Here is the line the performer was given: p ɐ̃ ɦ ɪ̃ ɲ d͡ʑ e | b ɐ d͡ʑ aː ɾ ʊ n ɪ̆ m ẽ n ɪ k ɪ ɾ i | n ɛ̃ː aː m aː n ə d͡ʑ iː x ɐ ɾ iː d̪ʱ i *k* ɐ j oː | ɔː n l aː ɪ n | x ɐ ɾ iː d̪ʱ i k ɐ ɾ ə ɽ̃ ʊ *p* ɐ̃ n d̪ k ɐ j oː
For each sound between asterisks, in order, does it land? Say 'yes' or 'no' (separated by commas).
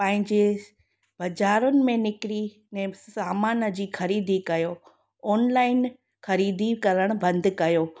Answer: yes, no